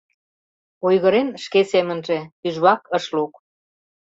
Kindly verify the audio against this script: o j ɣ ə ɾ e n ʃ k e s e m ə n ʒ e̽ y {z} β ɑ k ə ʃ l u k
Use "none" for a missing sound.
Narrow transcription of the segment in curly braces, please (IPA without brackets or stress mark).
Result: ʒ